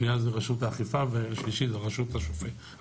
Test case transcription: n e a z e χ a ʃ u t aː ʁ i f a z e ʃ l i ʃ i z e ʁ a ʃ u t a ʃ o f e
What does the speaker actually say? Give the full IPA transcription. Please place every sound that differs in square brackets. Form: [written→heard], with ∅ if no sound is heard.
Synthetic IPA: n [e→i] a z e [χ→ʁ] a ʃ u t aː [ʁ→χ] i f a [z→v] e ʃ l i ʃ i z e ʁ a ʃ u t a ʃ o f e